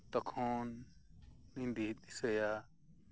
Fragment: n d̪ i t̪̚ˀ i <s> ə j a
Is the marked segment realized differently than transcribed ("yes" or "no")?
no